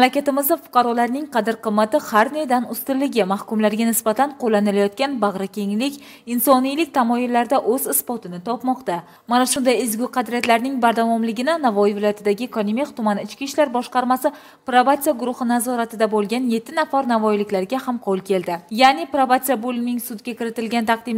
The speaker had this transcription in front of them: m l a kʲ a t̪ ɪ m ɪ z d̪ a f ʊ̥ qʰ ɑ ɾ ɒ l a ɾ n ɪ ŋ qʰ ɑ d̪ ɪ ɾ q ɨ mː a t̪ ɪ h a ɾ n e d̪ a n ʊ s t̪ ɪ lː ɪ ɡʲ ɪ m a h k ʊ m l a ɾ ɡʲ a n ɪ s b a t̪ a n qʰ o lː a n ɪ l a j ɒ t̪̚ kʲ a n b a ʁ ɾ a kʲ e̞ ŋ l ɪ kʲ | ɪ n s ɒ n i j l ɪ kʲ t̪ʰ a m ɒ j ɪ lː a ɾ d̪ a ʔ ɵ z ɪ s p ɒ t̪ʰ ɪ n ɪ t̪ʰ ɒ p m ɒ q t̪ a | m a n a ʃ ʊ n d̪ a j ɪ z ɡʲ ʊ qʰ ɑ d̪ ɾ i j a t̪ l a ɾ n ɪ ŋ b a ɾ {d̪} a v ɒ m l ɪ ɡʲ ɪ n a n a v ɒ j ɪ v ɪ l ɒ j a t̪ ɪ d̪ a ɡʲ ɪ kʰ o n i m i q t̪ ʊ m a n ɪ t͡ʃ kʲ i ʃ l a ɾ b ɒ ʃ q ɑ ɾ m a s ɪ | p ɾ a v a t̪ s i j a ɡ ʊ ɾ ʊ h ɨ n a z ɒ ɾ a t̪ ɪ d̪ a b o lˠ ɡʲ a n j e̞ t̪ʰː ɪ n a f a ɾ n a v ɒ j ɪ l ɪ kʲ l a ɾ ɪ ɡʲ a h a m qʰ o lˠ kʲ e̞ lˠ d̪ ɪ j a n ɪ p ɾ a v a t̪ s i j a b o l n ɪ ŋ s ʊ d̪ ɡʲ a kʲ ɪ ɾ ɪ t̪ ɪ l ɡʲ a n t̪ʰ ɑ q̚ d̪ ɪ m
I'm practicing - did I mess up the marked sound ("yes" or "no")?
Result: no